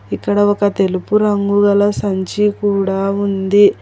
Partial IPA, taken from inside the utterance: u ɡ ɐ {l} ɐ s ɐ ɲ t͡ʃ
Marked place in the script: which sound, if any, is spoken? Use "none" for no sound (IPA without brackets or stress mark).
l